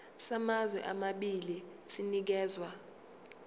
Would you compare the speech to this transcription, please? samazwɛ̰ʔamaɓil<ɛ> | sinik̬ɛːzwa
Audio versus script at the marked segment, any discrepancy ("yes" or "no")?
yes